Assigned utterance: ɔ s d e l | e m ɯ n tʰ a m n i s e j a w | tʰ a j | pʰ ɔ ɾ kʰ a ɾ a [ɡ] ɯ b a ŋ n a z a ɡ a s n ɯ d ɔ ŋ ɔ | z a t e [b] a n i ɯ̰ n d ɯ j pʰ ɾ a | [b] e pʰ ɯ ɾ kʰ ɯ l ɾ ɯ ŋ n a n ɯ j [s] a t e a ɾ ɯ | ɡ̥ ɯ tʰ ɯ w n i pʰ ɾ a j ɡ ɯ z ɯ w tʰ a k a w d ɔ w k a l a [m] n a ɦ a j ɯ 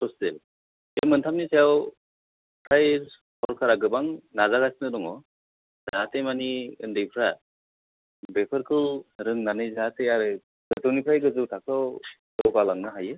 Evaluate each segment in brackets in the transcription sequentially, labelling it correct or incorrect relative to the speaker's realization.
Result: correct, incorrect: m, correct, incorrect: z, incorrect: ŋ

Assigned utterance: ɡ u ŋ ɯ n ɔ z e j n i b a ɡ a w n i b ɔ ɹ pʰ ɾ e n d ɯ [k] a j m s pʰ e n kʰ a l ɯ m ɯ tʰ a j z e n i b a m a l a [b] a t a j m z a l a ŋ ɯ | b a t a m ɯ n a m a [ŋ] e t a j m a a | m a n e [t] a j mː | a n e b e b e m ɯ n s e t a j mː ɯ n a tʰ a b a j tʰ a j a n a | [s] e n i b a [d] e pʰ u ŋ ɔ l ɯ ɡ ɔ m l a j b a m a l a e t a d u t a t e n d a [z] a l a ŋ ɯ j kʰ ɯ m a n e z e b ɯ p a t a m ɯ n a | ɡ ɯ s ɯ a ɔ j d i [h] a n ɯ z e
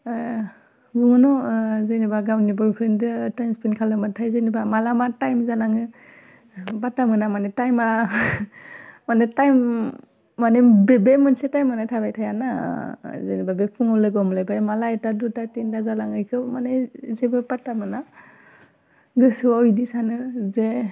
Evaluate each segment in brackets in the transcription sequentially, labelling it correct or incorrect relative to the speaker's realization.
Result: incorrect: t, incorrect: m, incorrect: n, correct, incorrect: z, incorrect: b, correct, incorrect: s

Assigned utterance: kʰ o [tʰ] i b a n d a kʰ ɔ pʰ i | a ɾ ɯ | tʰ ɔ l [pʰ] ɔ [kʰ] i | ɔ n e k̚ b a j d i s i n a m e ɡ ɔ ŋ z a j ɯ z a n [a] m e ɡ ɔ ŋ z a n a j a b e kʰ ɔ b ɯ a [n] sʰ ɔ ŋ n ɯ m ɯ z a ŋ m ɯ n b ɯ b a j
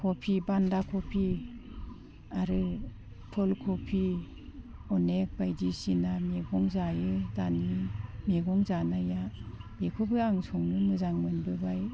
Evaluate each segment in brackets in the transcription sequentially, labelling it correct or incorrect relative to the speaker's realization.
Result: incorrect: pʰ, incorrect: kʰ, incorrect: pʰ, incorrect: i, incorrect: ŋ

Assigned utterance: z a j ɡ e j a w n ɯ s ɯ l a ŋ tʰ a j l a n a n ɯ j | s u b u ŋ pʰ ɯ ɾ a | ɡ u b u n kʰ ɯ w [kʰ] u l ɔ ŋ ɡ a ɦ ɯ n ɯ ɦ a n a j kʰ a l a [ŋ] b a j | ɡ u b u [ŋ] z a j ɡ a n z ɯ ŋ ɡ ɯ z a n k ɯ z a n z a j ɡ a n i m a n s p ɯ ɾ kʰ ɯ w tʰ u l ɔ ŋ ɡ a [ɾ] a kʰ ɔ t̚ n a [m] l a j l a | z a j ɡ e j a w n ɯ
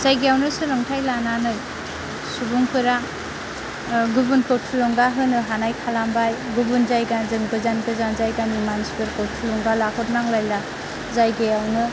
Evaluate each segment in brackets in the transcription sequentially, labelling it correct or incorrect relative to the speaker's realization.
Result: incorrect: tʰ, incorrect: m, incorrect: n, incorrect: l, incorrect: ŋ

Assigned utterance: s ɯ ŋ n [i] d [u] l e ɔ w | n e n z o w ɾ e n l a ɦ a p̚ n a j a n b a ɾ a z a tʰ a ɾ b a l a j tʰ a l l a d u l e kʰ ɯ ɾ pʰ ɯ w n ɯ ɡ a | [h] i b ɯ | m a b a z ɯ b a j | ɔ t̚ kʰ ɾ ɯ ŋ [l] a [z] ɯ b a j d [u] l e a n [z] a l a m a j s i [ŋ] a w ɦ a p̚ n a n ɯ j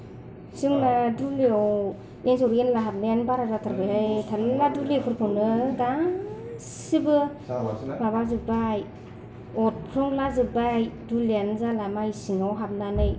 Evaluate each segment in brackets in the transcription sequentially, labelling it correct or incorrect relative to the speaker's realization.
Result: incorrect: a, correct, incorrect: s, correct, correct, correct, correct, correct

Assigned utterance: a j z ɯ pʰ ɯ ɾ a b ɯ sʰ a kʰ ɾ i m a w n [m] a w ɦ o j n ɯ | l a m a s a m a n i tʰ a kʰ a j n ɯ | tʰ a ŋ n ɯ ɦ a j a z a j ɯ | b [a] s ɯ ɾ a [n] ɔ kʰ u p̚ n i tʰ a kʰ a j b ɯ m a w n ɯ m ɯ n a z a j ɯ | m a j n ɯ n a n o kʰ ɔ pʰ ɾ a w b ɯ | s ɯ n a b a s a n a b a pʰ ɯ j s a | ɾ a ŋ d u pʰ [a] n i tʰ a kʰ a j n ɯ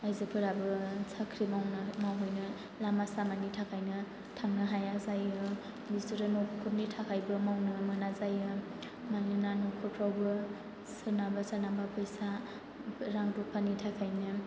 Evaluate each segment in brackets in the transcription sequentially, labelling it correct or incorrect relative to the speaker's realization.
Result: correct, incorrect: i, correct, correct

